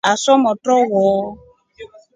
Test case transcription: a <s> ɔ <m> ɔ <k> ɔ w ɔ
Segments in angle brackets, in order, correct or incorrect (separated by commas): correct, correct, incorrect